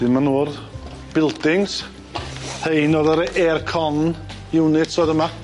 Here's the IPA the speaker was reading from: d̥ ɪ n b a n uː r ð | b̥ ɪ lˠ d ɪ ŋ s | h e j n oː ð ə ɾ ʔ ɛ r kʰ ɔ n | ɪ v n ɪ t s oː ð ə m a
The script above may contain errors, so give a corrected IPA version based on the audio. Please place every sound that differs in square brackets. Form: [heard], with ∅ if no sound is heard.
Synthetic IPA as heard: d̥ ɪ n [m] a n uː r ð | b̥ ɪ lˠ d ɪ ŋ s | h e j n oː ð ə ɾ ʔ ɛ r kʰ ɔ n | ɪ [w] n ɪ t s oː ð ə m a